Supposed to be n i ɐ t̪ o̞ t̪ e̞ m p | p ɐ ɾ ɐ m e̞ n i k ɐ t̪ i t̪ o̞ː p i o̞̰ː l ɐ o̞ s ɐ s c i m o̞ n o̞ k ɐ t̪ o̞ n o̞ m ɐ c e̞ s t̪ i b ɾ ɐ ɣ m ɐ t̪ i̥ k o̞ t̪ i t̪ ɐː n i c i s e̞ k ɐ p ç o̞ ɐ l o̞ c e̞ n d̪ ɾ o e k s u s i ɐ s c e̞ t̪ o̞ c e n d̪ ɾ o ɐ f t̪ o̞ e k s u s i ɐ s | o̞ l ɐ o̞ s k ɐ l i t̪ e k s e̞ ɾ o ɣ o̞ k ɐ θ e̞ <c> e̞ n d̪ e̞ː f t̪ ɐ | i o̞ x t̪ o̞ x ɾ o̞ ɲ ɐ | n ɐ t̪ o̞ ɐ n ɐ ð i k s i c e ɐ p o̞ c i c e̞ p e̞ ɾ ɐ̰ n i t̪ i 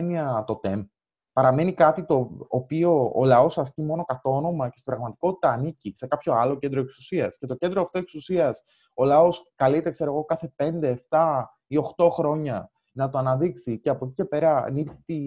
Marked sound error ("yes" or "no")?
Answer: yes